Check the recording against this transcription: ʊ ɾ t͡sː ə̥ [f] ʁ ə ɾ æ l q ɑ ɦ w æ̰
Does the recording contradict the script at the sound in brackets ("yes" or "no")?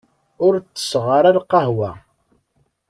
yes